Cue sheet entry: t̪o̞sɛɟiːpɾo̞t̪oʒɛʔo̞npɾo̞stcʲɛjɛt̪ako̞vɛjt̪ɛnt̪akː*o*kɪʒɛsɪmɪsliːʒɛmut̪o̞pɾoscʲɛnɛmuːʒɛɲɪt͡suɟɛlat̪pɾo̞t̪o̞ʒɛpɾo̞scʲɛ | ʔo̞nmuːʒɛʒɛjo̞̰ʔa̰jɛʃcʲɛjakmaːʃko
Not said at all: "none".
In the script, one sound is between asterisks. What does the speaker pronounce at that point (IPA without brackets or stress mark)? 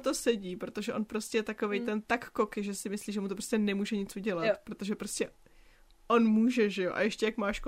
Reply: o